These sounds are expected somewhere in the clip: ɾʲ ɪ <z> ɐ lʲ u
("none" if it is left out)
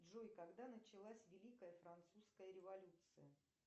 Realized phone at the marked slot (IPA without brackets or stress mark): v